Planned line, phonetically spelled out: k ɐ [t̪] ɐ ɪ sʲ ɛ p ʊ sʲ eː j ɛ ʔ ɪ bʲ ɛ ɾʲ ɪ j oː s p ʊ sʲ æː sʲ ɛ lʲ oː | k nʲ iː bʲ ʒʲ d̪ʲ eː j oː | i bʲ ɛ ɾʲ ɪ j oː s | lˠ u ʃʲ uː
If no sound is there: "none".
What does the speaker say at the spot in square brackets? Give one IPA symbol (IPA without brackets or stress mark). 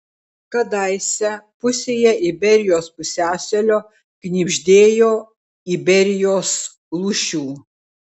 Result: d̪